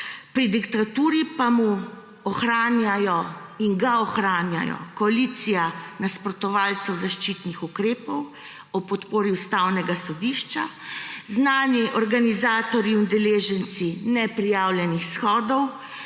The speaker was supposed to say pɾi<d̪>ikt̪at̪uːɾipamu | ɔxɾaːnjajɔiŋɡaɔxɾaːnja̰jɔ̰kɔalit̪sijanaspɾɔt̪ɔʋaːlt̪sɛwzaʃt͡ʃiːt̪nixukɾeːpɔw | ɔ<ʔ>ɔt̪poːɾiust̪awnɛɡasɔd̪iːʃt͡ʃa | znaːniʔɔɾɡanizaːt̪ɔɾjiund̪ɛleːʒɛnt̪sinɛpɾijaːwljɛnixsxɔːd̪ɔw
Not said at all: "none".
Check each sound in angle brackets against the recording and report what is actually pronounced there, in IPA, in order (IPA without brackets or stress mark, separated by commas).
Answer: d̪, p